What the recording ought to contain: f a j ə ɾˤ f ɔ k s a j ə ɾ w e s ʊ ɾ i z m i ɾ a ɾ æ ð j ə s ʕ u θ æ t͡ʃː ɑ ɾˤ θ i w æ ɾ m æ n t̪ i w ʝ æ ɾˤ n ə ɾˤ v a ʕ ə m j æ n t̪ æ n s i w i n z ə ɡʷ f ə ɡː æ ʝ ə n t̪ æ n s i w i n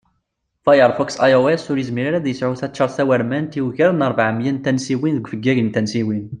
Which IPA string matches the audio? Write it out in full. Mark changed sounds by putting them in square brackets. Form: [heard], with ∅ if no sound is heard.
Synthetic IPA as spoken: f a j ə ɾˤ f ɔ k s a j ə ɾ w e s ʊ ɾ i z m i ɾ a ɾ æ ð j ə s ʕ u θ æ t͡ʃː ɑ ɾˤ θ [æ] w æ ɾ m æ n t̪ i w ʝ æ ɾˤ n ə ɾˤ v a ʕ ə m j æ n t̪ æ n s i w i n [ð] ə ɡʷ f ə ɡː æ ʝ ə n t̪ æ n s i w i n